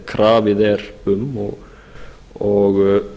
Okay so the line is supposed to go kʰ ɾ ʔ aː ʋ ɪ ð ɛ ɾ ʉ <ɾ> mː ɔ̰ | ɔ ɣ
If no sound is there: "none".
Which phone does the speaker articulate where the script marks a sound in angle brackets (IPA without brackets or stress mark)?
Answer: none